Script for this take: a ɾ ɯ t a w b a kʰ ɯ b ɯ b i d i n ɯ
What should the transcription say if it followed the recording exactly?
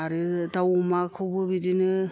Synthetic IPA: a ɾ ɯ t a w m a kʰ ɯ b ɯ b i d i n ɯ